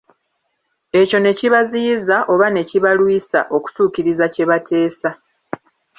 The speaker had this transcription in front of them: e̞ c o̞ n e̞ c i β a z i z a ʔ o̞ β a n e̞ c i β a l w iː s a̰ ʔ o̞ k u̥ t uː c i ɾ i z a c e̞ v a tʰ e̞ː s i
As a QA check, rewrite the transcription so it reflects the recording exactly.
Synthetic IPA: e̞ c o̞ n e̞ c i β a z i z a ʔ o̞ β a n e̞ c i β a l w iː s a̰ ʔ o̞ k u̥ t uː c i ɾ i z a c e̞ β a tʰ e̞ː s a